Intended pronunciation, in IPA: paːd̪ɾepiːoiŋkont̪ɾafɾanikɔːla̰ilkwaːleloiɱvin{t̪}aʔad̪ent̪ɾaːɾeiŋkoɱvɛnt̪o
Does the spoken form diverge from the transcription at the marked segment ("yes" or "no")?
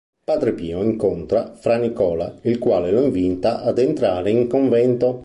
no